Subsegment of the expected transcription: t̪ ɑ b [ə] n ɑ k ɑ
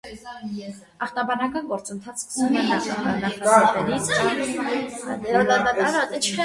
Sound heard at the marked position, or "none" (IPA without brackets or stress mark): ɑ